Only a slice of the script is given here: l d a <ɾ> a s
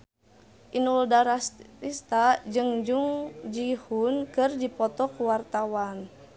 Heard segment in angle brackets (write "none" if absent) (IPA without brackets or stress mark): ɾ